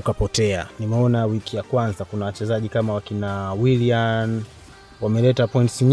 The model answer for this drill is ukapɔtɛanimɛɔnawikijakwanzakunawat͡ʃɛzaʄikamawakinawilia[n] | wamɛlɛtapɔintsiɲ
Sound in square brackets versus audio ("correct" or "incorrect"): correct